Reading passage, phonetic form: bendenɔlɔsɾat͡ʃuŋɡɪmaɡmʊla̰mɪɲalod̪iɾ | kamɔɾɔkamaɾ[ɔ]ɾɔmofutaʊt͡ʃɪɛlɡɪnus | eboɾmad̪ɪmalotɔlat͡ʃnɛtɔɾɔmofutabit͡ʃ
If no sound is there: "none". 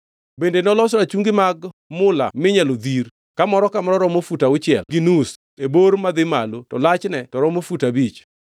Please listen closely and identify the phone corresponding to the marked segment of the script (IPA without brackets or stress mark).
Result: ɔ